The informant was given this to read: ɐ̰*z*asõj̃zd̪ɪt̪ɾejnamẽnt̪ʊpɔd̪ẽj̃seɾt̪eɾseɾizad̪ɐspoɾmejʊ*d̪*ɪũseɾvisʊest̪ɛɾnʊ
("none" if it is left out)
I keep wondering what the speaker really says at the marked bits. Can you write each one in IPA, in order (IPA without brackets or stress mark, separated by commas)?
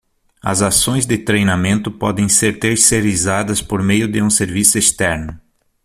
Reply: z, d̪